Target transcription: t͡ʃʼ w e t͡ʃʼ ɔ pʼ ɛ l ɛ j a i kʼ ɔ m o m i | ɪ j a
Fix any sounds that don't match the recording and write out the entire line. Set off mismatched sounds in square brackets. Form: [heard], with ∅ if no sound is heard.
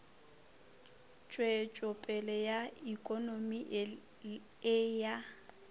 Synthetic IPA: t͡ʃʼ w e t͡ʃʼ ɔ pʼ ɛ l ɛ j a i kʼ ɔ [n] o m i | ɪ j a